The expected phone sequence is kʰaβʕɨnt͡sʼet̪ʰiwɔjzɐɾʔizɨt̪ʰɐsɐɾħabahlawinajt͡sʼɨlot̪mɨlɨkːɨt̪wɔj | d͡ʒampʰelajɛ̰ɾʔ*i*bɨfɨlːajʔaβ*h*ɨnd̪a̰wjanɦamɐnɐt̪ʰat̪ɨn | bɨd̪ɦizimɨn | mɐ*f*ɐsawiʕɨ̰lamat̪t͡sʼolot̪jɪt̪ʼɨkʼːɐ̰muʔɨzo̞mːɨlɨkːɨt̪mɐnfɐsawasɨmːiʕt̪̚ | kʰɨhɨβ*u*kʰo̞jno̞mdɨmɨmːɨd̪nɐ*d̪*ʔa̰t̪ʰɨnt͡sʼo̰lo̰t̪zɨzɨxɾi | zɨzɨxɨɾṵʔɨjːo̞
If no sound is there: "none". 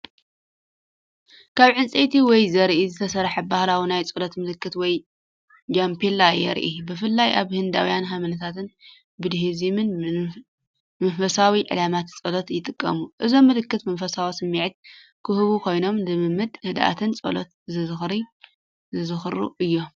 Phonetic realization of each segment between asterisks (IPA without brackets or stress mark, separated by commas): i, h, f, u, d̪